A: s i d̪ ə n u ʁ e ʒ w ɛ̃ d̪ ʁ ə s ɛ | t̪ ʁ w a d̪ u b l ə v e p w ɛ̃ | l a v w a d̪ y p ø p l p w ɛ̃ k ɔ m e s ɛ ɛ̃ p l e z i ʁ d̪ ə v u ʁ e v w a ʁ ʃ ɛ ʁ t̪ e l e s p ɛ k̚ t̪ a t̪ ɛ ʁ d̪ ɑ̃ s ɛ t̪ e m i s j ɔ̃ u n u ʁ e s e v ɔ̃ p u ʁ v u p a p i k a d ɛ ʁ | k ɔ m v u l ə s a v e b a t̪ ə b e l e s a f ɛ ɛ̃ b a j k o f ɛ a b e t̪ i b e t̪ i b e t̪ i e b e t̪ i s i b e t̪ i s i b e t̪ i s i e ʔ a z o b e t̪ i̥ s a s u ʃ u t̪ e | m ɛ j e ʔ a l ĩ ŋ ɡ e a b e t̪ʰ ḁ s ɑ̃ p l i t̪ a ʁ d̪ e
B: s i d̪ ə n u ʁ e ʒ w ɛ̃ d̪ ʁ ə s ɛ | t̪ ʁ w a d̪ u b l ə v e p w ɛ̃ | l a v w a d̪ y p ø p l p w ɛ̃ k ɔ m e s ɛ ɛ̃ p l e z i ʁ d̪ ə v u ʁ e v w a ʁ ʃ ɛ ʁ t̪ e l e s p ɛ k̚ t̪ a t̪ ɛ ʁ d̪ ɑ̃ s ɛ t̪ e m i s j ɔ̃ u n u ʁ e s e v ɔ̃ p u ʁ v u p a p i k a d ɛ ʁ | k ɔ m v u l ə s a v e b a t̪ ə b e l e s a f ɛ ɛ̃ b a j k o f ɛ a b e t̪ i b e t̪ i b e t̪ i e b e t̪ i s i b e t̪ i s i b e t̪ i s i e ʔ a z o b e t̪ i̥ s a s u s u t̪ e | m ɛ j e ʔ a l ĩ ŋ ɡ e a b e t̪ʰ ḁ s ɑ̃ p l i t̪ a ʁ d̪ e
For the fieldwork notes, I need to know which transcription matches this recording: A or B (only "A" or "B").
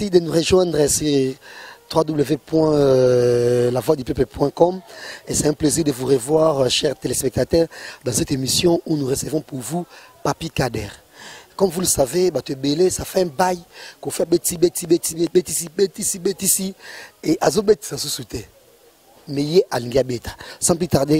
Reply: B